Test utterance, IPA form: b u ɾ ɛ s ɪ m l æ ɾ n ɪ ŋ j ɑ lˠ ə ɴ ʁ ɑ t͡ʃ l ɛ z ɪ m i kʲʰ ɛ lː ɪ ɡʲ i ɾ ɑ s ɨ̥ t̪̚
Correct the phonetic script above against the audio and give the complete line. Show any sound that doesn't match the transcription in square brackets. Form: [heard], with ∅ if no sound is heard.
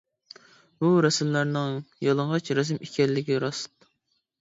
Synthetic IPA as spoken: b u ɾ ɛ s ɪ m l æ ɾ n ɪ ŋ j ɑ lˠ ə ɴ ʁ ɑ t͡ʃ [ɾ] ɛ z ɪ m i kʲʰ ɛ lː ɪ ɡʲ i ɾ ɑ s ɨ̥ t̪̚